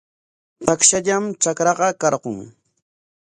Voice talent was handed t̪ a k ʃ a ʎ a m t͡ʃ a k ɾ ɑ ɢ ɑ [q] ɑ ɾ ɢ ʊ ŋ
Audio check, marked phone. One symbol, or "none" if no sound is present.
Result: k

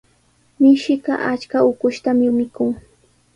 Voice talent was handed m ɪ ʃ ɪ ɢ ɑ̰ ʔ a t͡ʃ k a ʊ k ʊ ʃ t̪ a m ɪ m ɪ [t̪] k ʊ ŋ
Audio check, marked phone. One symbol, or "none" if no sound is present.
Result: none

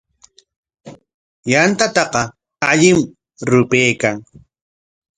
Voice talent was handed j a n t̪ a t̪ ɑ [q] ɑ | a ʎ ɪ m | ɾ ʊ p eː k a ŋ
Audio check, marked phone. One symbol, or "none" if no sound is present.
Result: q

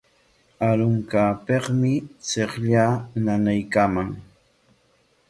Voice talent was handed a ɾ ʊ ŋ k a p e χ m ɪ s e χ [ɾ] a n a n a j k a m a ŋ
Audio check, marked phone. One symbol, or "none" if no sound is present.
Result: ʎ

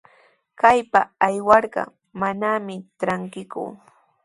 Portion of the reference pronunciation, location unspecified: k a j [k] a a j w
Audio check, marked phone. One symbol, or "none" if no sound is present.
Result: p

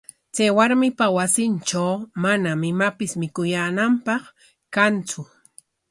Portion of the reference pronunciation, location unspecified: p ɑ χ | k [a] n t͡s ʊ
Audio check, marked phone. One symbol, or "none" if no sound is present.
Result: a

